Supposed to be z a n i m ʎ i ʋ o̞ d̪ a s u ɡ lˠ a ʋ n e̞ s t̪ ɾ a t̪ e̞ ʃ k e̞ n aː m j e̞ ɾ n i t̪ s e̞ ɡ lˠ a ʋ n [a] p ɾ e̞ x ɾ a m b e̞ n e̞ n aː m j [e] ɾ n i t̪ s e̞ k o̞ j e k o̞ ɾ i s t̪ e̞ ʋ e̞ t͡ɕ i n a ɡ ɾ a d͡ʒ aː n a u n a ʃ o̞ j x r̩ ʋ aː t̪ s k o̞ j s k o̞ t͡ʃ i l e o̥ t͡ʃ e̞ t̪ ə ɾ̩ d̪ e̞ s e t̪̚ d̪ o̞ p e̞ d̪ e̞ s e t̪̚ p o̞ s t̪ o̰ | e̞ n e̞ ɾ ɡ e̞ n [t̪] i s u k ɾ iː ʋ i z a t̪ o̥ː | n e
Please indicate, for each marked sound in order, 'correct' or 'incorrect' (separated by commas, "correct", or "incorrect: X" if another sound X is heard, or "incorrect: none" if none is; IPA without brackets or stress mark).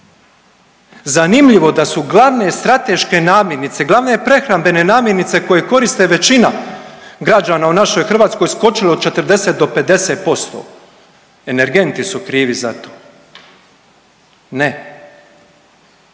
incorrect: e, correct, correct